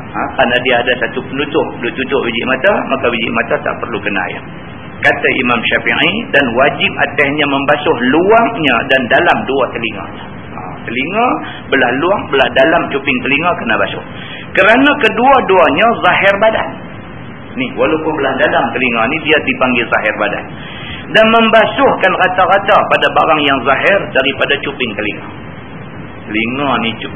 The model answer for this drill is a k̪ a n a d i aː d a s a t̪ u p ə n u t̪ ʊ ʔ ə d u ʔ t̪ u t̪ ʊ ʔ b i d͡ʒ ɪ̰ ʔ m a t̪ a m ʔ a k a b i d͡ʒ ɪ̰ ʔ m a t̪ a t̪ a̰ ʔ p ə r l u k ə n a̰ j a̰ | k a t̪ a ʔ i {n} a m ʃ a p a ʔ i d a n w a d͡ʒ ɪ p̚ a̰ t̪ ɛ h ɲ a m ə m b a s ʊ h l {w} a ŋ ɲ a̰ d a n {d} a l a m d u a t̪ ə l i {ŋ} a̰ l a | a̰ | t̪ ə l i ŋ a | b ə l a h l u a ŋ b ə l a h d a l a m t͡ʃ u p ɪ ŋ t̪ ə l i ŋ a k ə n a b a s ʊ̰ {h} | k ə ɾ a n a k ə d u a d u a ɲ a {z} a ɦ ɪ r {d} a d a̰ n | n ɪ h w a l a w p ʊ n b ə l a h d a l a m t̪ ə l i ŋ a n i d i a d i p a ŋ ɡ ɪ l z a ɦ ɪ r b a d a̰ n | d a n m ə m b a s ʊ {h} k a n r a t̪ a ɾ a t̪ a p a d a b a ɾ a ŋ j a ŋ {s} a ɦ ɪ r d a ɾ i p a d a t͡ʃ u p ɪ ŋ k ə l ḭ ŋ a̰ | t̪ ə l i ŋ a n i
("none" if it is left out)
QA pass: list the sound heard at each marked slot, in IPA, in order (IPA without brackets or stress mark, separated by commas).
m, u, d, ŋ, h, z, b, h, z